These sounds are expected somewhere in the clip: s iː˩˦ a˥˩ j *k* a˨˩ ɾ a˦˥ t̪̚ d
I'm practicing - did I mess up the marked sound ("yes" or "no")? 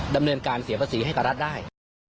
no